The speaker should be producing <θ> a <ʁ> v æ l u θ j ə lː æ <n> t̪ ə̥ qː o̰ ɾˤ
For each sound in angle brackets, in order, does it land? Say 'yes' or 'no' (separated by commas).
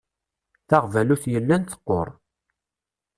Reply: yes, yes, yes